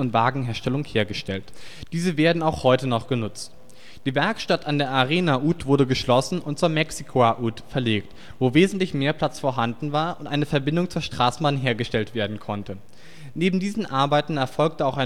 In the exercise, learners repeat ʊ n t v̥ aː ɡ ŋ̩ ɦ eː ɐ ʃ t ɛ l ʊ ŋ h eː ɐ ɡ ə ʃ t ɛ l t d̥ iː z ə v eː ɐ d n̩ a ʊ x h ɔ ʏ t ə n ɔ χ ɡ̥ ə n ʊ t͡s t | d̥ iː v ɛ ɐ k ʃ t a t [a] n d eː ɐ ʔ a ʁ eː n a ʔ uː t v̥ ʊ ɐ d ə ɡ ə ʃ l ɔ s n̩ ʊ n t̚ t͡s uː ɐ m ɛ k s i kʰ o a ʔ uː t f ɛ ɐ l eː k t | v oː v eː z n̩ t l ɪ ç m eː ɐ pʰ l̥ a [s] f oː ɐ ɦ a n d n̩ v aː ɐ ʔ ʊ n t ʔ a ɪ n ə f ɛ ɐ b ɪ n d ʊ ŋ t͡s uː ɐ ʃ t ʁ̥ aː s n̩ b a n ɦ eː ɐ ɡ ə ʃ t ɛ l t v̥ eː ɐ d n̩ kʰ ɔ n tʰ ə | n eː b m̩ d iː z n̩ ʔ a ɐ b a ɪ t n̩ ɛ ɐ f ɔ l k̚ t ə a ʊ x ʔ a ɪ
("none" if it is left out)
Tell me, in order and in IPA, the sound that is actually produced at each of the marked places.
a, t͡s

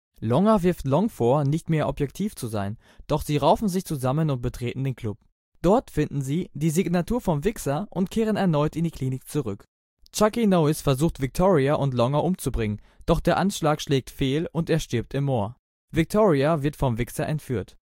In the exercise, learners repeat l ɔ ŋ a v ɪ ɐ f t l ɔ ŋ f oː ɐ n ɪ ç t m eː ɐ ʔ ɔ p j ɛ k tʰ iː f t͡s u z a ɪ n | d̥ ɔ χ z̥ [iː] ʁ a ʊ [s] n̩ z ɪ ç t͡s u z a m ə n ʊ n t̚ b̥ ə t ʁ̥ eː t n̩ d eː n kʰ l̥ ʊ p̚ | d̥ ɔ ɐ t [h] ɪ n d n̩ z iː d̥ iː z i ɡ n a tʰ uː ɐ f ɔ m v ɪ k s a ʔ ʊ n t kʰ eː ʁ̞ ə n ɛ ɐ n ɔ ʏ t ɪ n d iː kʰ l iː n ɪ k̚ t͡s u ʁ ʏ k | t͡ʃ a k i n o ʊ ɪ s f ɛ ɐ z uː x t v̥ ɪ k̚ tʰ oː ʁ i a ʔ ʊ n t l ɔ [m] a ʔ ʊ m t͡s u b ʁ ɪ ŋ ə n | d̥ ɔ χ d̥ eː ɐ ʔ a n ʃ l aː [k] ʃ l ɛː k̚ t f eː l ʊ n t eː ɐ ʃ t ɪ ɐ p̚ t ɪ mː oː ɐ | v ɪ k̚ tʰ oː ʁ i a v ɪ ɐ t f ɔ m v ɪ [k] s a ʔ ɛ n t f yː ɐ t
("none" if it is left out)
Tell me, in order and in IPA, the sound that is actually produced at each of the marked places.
iː, f, f, ŋ, k, k

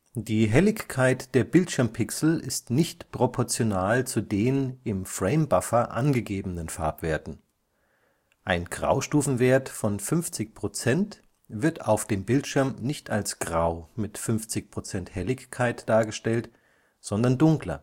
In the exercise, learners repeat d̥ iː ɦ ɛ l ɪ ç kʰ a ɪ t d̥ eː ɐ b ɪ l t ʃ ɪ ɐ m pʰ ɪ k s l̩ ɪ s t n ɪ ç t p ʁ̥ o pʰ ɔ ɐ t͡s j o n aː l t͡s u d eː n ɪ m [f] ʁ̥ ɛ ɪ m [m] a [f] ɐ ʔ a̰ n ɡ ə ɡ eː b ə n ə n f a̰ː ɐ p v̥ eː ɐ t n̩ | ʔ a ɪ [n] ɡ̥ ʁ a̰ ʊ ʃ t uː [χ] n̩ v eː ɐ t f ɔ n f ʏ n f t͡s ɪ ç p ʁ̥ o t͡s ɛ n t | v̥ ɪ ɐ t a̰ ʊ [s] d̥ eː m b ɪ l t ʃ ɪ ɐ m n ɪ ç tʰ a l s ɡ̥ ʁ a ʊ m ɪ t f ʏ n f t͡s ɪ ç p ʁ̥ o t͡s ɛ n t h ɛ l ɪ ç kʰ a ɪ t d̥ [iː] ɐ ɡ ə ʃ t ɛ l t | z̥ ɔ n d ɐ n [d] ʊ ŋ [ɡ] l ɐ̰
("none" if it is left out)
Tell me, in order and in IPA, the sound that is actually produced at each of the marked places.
f, b, f, n, f, f, aː, d, k

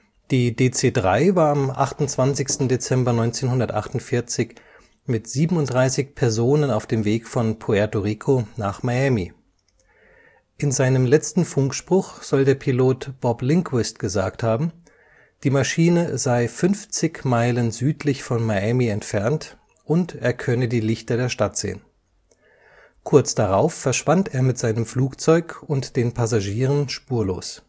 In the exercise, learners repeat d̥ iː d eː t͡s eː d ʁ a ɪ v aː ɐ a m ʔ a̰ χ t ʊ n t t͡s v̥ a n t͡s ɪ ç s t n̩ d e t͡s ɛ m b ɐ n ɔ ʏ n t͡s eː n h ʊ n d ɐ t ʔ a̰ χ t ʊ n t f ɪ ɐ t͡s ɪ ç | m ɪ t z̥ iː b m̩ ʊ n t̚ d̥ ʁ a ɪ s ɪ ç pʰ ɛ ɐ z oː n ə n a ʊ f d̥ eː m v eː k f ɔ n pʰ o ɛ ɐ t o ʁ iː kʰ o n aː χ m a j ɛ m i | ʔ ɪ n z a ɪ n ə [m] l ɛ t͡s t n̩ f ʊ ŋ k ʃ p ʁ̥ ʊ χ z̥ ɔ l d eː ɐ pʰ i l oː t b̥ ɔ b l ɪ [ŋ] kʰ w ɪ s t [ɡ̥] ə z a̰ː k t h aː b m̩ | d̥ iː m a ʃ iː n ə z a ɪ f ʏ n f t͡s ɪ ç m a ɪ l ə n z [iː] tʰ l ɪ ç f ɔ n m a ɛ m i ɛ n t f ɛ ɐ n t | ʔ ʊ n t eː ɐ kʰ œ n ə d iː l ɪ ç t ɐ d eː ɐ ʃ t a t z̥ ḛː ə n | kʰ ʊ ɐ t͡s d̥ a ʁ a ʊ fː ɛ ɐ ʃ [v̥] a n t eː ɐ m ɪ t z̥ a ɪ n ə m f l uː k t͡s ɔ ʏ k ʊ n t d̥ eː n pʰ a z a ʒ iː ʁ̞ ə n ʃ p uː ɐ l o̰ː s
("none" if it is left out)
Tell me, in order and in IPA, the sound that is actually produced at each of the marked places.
m, ŋ, ɡ̥, yː, v̥

